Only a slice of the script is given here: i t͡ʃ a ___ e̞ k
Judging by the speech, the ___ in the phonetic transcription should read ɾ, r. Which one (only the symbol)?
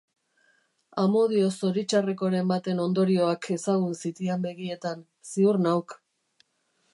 r